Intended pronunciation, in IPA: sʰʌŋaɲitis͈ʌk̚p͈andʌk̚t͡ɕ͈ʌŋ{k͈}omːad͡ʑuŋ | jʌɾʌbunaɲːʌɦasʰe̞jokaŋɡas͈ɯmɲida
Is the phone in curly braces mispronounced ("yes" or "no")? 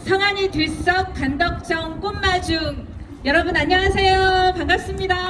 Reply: no